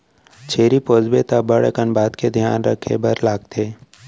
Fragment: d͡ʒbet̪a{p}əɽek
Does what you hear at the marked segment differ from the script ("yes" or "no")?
yes